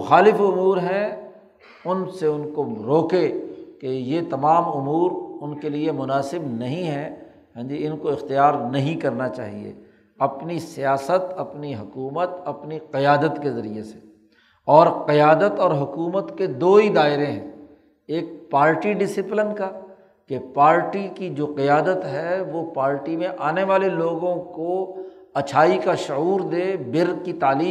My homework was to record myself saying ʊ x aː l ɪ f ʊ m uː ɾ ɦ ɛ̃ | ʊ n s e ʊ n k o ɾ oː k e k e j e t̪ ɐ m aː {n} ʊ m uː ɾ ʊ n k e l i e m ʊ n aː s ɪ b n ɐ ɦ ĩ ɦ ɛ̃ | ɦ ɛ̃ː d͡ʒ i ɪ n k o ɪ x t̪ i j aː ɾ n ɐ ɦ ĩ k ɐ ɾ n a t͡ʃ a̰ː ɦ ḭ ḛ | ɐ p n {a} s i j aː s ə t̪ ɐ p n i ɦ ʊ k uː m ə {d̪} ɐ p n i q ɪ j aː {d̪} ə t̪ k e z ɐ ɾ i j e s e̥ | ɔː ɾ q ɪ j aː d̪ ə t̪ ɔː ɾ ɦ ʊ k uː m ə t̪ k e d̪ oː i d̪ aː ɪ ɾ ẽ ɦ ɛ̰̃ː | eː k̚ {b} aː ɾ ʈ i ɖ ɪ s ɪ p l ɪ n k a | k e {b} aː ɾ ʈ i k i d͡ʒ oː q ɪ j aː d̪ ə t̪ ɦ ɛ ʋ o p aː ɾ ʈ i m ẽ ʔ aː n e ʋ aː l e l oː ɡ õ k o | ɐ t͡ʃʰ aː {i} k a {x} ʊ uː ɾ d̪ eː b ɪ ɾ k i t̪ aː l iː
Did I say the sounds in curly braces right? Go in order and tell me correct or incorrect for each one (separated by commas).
incorrect, incorrect, incorrect, correct, incorrect, incorrect, correct, incorrect